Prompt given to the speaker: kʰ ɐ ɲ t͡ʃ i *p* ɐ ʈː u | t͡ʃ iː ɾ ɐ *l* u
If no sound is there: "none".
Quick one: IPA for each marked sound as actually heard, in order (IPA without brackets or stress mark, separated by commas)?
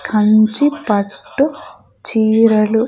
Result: p, l